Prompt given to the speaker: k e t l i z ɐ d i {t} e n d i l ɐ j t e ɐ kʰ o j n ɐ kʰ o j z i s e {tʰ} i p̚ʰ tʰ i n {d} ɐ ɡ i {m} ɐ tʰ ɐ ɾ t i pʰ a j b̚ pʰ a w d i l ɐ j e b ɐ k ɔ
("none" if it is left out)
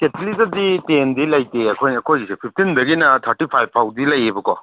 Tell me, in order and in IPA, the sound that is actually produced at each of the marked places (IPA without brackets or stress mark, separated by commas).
t, pʰ, d, n